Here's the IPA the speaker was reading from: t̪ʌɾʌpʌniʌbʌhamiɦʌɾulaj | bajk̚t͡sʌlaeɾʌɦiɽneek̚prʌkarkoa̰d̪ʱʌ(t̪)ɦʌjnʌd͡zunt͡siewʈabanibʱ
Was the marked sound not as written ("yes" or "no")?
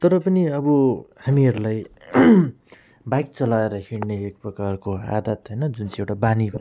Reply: no